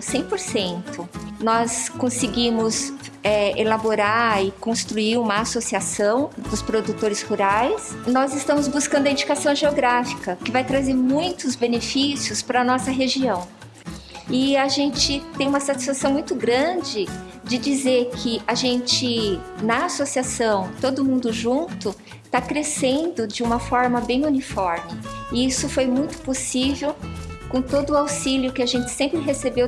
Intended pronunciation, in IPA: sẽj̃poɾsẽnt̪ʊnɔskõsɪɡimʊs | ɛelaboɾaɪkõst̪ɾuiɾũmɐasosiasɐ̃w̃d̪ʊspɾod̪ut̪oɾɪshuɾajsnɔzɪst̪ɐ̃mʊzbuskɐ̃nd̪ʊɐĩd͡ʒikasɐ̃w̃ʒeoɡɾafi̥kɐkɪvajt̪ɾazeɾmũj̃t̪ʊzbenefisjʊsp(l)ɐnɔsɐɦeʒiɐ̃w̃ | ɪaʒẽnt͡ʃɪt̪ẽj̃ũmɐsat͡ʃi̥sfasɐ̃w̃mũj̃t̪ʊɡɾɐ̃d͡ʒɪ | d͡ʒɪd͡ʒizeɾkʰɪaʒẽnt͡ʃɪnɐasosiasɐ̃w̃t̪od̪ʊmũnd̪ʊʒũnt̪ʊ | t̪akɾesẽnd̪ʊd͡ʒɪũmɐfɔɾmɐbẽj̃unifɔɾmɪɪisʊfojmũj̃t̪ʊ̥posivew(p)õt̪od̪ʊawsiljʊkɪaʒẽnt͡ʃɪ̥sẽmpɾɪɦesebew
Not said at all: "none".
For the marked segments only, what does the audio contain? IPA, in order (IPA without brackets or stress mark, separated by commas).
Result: ɾ, k